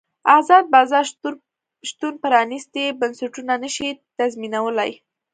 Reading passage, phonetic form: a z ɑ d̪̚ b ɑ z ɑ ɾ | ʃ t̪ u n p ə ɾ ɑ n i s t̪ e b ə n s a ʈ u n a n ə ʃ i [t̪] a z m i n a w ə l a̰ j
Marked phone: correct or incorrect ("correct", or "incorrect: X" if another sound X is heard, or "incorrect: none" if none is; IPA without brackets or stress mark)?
correct